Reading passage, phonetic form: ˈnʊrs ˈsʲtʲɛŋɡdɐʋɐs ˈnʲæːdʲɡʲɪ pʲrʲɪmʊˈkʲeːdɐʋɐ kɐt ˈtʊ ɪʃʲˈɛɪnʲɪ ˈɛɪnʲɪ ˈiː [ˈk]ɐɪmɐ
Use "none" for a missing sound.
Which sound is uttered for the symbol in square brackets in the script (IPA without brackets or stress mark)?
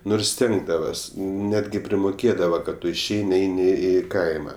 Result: k